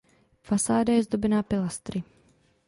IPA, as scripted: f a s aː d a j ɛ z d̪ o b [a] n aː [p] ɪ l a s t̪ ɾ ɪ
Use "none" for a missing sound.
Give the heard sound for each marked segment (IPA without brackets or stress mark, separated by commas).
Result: ɛ, p